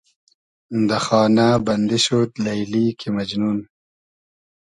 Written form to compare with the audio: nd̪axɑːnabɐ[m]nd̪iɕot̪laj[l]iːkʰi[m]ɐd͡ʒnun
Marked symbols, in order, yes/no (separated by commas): no, yes, yes